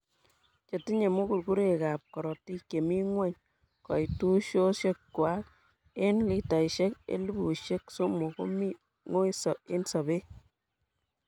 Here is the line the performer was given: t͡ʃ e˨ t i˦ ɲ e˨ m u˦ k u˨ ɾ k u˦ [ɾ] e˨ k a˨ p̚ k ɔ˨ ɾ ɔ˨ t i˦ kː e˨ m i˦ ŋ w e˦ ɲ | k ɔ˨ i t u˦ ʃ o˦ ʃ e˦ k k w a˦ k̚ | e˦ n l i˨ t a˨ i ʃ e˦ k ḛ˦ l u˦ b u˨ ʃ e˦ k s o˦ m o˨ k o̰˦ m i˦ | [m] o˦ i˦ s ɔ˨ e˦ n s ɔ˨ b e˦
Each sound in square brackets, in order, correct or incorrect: correct, incorrect: ŋ

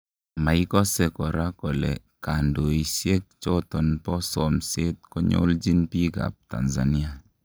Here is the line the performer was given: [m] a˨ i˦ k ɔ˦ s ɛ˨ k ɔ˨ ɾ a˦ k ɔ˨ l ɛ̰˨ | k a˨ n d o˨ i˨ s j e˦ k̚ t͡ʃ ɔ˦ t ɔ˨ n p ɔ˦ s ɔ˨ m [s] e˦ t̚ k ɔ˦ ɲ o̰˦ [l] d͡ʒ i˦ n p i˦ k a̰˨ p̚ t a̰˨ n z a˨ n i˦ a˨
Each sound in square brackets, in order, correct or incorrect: correct, correct, correct

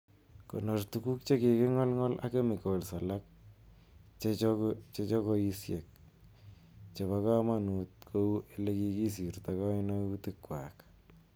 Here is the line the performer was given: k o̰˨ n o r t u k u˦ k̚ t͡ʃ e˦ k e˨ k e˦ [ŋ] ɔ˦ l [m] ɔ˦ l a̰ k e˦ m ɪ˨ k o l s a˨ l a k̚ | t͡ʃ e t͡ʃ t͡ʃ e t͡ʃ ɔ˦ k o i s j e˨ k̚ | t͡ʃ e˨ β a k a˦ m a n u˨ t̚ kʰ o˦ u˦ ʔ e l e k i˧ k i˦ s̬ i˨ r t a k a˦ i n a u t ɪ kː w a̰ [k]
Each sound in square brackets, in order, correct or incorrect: correct, incorrect: ŋ, correct

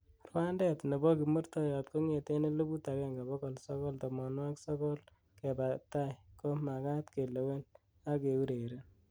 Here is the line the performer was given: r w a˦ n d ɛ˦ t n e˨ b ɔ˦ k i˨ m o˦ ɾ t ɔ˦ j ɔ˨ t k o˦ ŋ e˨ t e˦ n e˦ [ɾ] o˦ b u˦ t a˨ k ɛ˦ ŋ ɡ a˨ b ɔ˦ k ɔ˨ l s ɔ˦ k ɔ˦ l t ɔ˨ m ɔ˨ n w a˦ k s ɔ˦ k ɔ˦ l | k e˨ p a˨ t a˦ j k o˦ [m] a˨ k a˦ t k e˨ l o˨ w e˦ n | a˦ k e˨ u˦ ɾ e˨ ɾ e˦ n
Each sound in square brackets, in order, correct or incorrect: incorrect: l, correct

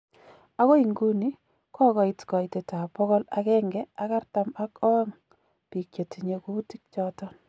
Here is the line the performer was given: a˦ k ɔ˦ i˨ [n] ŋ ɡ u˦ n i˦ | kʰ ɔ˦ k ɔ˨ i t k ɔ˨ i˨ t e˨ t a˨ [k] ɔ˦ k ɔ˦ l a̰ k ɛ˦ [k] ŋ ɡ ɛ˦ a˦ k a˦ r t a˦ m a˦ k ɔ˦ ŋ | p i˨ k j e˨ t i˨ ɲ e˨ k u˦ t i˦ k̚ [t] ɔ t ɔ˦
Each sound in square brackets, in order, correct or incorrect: incorrect: none, incorrect: p, incorrect: none, incorrect: t͡ʃ

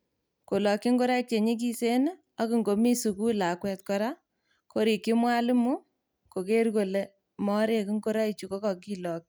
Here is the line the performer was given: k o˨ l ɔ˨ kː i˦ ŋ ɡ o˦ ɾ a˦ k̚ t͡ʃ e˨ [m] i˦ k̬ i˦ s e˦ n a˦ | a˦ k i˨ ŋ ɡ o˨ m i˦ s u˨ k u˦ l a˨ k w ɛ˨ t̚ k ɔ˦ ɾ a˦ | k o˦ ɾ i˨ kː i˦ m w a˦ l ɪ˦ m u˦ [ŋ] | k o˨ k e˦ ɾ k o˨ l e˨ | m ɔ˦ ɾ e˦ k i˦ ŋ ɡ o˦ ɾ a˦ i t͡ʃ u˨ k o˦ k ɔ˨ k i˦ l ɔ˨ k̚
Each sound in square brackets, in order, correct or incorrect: incorrect: ɲ, incorrect: none

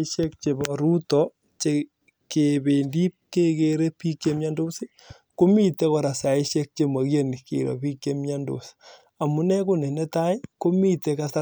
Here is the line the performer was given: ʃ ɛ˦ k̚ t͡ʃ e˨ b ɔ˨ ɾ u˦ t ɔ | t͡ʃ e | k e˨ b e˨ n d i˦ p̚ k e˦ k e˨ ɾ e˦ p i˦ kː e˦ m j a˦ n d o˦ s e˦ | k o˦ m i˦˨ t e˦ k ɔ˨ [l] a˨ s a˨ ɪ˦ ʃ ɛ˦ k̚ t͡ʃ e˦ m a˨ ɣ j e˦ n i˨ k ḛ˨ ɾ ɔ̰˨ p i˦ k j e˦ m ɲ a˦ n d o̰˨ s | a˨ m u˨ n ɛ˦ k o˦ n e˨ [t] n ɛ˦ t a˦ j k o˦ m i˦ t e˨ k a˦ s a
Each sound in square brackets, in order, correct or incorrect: incorrect: ɾ, incorrect: none

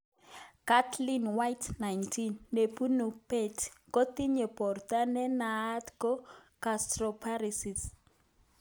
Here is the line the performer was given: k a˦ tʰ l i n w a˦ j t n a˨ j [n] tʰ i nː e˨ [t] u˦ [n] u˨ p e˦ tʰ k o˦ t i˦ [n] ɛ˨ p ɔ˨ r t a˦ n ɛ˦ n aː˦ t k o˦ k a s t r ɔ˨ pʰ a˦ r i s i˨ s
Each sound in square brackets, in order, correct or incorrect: correct, incorrect: p, correct, incorrect: ɲ

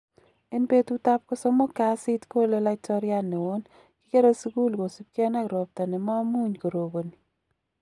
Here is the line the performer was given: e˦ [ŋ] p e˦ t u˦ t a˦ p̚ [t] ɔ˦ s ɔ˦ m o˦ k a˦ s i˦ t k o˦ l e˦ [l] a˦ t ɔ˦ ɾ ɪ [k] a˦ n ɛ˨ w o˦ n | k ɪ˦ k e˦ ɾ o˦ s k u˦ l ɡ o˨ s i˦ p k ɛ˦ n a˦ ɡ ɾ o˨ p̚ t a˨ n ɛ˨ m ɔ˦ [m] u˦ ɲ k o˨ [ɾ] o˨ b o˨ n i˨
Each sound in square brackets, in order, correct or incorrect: incorrect: n, incorrect: k, correct, incorrect: none, correct, correct

